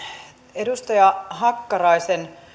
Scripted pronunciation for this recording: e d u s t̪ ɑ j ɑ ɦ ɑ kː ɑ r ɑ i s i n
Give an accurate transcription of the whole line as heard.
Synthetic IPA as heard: e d u s t̪ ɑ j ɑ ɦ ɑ kː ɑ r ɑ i s e n